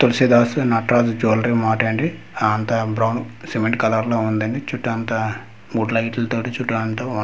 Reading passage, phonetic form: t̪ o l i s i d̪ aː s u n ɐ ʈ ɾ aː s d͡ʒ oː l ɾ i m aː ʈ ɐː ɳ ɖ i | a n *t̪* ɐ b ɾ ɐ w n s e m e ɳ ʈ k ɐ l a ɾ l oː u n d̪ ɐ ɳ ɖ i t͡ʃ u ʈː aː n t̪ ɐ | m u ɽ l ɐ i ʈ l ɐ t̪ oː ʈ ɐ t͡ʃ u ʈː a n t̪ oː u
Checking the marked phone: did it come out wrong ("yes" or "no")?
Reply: no